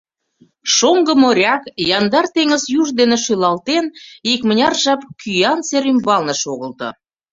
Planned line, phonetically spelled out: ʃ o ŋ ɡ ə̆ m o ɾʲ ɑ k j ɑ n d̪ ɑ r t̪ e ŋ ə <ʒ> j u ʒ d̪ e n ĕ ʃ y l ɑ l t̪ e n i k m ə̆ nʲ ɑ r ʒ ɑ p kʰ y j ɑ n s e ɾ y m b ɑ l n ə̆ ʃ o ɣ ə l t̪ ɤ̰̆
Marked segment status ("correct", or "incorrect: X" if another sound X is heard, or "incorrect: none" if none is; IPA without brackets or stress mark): incorrect: z